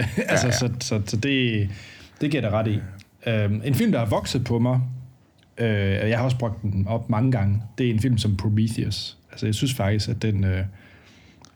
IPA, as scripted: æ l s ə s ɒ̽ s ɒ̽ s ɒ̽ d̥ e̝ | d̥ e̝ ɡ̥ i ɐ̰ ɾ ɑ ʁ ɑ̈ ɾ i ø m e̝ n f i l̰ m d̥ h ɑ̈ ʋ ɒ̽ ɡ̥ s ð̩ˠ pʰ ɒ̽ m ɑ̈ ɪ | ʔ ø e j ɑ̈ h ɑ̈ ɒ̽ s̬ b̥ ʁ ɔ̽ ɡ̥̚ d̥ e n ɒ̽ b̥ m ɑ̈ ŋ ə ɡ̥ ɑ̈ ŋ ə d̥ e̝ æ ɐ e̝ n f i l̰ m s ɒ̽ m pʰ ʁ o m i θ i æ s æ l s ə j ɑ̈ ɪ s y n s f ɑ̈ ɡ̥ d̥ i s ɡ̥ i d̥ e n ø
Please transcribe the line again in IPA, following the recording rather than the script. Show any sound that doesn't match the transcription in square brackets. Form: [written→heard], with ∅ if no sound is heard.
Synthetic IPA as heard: æ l s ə s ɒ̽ s ɒ̽ s ɒ̽ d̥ e̝ | d̥ e̝ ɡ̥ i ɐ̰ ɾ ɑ ʁ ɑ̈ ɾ i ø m e̝ n f i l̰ m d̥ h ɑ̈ ʋ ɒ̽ ɡ̥ s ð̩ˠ pʰ ɒ̽ m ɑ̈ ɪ | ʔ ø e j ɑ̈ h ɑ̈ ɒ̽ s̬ b̥ ʁ ɔ̽ ɡ̥̚ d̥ e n ɒ̽ b̥ m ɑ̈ ŋ ə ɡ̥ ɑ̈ ŋ ə d̥ e̝ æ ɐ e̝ n f i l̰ m s ɒ̽ m pʰ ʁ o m i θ i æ s æ l s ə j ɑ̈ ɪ s y n s f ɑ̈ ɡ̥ d̥ i s ɡ̥ [i→æ] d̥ e n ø